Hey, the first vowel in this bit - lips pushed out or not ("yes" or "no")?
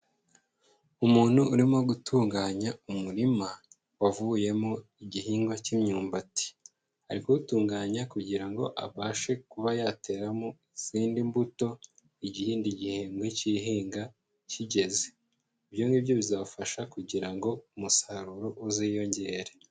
yes